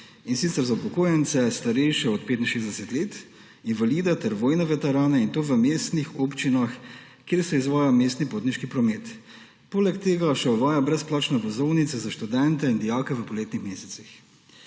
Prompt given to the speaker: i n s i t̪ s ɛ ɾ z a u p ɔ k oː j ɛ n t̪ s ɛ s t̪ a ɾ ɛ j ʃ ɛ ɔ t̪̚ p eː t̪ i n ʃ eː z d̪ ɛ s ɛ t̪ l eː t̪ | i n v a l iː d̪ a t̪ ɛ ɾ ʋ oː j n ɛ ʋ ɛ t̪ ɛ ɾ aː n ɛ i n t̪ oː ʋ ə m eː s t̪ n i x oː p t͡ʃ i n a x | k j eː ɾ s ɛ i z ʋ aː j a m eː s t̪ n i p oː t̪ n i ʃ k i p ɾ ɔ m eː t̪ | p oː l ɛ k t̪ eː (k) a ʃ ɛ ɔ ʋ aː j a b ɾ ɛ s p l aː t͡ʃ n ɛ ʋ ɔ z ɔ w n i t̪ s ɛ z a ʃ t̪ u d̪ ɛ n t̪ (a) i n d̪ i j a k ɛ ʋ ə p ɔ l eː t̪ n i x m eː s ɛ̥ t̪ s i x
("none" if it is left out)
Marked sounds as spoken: ɡ, ɛ

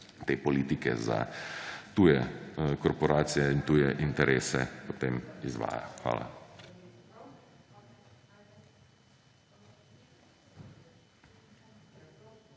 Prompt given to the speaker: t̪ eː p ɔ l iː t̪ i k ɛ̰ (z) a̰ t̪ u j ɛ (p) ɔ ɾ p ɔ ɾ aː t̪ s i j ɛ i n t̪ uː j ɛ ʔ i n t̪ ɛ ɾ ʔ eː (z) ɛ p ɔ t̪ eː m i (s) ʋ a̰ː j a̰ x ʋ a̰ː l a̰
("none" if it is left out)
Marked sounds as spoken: z, k, s, z

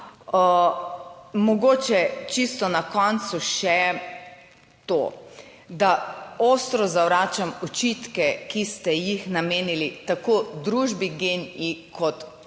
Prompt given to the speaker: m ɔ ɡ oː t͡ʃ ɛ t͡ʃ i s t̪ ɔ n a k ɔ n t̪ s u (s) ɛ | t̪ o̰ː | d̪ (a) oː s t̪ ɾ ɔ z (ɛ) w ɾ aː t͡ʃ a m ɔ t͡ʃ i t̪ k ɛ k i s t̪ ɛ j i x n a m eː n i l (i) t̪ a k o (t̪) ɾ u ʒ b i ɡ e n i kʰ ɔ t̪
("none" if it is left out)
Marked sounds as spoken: ʃ, a, a, i, d̪

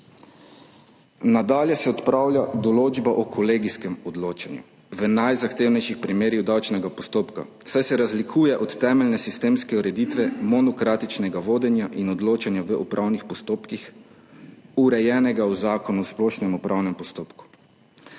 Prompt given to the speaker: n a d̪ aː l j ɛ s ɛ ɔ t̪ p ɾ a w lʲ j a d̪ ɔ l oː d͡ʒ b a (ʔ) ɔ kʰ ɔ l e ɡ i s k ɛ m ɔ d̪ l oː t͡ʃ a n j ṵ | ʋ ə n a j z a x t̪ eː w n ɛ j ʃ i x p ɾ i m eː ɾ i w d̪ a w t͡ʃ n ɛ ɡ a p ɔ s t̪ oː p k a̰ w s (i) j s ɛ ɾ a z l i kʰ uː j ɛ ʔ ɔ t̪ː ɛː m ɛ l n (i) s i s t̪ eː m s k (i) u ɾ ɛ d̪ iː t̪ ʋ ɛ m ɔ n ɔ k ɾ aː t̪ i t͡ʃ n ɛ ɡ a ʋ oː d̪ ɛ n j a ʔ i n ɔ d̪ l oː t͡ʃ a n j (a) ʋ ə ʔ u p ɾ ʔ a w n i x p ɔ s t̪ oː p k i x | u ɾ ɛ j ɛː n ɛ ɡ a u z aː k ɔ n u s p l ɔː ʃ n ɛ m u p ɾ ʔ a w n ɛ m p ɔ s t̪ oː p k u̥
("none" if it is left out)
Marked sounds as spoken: ʔ, a, ɛ, ɛ, a

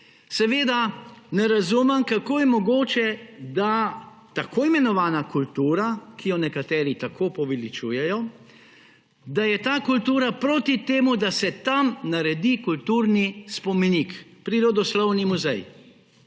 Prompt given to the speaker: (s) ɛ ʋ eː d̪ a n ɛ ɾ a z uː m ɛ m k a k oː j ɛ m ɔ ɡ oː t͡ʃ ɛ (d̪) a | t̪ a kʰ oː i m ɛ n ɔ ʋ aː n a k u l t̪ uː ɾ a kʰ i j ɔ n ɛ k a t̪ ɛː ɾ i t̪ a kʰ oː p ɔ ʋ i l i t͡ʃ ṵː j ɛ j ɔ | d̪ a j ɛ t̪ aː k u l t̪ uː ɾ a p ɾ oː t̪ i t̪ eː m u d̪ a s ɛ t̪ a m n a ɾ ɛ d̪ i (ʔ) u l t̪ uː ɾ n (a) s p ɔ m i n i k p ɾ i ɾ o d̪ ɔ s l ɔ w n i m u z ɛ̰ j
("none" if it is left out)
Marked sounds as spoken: s, d̪, k, i

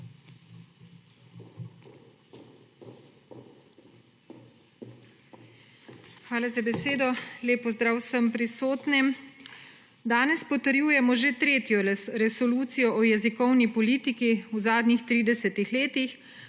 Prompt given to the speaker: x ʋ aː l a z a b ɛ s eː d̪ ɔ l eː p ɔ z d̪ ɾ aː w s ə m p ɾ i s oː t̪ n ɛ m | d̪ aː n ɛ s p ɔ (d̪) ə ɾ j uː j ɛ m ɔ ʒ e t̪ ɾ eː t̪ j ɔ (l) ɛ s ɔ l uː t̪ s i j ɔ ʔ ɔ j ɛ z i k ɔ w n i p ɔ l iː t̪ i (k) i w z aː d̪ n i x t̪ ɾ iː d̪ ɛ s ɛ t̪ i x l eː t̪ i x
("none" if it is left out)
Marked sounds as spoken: t̪, ɾ, k

